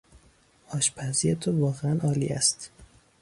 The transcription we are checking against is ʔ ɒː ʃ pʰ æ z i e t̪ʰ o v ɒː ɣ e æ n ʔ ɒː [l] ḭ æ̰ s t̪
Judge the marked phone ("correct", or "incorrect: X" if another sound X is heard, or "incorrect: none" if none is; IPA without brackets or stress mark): correct